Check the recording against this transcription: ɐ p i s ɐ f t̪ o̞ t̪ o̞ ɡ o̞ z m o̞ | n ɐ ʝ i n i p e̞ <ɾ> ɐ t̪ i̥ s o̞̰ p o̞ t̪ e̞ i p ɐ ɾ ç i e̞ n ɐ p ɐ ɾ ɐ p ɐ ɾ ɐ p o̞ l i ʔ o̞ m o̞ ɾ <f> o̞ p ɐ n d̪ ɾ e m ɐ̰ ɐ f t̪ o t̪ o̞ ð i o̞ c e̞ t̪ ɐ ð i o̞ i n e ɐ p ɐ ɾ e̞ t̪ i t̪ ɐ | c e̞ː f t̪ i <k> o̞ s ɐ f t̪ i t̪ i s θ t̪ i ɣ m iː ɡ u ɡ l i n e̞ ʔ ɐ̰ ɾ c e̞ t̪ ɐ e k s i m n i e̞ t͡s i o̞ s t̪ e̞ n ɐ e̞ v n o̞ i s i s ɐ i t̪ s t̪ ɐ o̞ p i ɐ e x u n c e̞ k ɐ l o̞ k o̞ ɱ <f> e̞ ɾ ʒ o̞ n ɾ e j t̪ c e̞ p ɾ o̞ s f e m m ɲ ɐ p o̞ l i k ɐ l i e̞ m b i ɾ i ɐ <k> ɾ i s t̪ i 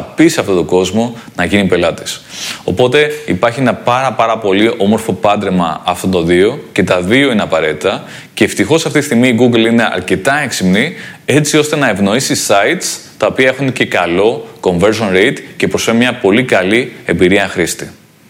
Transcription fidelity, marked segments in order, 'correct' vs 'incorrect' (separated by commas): incorrect, correct, incorrect, incorrect, incorrect